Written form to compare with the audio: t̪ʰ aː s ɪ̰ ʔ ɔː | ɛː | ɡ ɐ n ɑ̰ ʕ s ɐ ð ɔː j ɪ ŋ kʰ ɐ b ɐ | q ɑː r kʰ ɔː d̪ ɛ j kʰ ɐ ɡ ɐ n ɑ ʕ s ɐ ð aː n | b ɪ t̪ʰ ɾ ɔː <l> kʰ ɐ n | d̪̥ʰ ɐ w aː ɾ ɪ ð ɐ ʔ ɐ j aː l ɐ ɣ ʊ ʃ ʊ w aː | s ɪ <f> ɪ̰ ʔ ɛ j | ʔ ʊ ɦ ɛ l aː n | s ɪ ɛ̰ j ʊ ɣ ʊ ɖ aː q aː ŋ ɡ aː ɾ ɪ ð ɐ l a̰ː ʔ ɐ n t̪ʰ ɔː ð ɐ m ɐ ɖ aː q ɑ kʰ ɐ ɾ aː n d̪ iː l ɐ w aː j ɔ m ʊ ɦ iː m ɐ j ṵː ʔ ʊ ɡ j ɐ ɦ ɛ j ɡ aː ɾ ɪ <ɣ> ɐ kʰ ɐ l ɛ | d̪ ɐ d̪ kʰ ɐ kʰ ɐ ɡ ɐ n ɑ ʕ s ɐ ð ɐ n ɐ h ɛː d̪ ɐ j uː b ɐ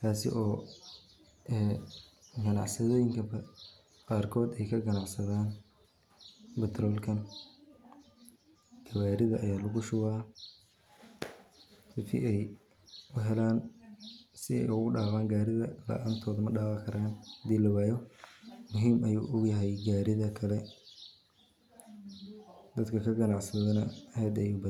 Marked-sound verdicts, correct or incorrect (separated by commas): correct, correct, incorrect